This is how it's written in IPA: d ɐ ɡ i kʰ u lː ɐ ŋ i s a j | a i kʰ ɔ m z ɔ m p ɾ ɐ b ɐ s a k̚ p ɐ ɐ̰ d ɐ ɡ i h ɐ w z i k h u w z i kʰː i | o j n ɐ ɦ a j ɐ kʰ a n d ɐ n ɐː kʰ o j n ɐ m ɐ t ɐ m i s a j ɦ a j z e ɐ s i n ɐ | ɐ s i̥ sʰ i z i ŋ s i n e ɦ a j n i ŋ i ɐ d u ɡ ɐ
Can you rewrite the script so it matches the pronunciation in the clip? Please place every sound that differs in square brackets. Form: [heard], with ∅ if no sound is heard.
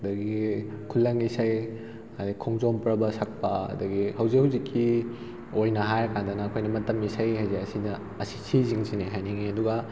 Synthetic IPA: d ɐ ɡ i kʰ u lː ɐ ŋ i s a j | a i kʰ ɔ [ŋ] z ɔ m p ɾ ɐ b ɐ s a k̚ p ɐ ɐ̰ d ɐ ɡ i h ɐ w z i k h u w z i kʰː i | o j n ɐ ɦ a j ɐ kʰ a n d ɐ n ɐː kʰ o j n ɐ m ɐ t ɐ m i s a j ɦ a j z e ɐ s i n ɐ | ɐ s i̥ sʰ i z i ŋ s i n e ɦ a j n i ŋ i ɐ d u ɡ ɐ